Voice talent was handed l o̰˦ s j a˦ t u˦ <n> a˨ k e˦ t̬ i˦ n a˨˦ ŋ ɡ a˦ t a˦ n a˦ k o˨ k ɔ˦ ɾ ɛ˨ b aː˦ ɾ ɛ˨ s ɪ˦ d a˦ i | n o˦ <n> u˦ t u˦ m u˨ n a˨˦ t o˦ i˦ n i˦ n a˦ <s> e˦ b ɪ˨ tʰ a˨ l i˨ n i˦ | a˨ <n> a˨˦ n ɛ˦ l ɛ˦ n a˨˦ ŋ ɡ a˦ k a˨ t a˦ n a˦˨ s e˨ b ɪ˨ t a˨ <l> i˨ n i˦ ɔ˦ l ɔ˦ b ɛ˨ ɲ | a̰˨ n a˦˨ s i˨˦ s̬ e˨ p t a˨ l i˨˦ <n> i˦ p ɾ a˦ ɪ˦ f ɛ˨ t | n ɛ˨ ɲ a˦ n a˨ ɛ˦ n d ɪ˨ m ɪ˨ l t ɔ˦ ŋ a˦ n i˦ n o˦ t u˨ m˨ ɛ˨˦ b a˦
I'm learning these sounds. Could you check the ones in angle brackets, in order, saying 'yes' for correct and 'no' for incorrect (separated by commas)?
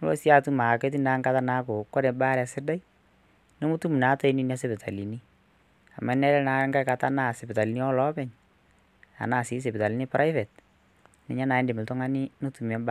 no, no, yes, no, yes, yes